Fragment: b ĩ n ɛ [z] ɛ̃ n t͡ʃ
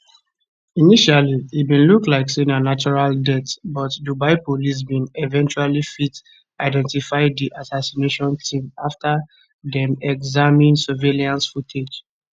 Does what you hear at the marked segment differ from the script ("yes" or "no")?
yes